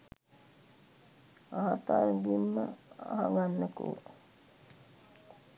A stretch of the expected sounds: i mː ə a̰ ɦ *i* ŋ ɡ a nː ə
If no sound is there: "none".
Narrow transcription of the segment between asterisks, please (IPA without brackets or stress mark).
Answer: a